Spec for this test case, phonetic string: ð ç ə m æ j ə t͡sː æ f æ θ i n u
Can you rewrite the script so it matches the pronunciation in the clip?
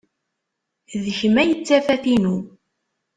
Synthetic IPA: ð ç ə m æ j ə t͡sː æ f æ θ i n u